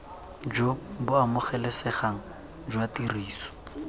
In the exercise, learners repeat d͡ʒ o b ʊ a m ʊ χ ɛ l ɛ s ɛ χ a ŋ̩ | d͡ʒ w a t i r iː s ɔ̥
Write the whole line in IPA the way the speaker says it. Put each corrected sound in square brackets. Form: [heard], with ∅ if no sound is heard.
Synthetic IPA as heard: d͡ʒ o b ʊ a m ʊ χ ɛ l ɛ s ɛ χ a ŋ̩ | d͡ʒ w a t i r iː s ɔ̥